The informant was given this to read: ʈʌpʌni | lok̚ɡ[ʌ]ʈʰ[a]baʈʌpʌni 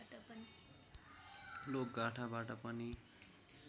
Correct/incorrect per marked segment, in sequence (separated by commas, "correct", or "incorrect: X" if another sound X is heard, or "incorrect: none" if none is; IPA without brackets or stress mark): incorrect: a, correct